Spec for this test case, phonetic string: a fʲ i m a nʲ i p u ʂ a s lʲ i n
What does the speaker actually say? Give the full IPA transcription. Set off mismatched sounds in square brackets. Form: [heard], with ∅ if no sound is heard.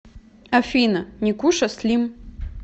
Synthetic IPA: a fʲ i [n] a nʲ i [k] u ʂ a s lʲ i [m]